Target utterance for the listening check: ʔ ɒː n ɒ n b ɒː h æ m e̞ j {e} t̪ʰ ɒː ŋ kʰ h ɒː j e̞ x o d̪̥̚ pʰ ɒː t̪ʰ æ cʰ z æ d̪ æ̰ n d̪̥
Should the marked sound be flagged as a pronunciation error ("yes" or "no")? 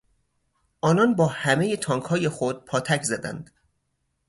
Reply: no